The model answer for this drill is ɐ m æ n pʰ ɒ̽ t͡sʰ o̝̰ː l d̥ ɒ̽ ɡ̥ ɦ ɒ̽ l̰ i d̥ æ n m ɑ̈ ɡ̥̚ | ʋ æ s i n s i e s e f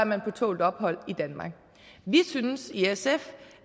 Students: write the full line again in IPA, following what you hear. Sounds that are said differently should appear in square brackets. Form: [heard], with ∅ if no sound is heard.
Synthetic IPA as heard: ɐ m æ n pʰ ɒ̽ t͡sʰ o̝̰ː l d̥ ɒ̽ [b̥] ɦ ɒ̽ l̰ i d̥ æ n m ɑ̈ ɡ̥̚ | ʋ [i] s [y] n s i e s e f

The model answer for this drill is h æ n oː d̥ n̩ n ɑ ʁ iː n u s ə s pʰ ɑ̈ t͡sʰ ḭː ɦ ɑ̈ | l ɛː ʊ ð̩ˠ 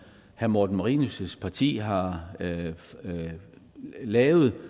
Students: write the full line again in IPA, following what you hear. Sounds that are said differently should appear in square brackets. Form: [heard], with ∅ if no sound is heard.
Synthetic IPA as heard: h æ [m] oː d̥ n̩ [m] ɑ ʁ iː n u s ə s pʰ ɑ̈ t͡sʰ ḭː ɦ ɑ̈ | l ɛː ʊ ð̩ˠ

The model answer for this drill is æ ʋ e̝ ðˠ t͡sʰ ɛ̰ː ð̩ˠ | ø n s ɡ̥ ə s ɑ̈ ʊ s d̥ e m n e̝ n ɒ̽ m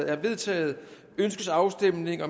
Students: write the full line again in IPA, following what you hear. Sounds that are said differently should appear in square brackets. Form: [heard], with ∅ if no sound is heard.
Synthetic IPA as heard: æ ʋ e̝ ðˠ t͡sʰ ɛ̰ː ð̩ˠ | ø n s ɡ̥ ə s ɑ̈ ʊ s d̥ e m n e̝ [ŋ] ɒ̽ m

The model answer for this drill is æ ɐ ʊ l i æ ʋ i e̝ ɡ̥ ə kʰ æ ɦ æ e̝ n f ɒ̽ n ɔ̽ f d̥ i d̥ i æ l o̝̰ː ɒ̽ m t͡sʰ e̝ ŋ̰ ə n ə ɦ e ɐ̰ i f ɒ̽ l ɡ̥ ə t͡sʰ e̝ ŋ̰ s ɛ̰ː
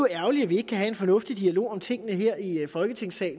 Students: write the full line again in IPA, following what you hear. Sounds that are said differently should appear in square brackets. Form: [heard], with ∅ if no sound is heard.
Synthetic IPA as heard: æ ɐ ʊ l i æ ʋ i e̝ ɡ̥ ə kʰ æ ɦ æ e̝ n f ɒ̽ n ɔ̽ f d̥ i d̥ i æ l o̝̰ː ɒ̽ m t͡sʰ e̝ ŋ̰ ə n ə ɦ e ɐ̰ i f ɒ̽ l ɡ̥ ə t͡sʰ e̝ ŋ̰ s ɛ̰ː

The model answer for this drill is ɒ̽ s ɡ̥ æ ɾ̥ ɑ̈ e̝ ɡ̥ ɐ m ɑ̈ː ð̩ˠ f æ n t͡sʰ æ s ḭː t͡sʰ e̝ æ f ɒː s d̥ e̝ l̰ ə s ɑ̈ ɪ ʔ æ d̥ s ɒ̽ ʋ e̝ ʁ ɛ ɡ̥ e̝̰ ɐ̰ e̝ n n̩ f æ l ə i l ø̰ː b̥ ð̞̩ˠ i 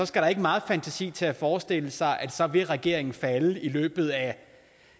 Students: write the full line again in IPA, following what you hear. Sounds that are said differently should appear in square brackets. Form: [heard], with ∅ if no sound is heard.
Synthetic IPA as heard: ɒ̽ s ɡ̥ æ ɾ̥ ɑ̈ e̝ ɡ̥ [ə] m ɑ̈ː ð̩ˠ f æ n t͡sʰ æ s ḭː t͡sʰ e̝ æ f ɒː s d̥ e̝ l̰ ə s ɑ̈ ɪ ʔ æ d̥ s ɒ̽ ʋ e̝ ʁ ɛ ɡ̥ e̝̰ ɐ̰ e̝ [ŋ] n̩ f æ l ə i l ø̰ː b̥ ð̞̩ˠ [æ]

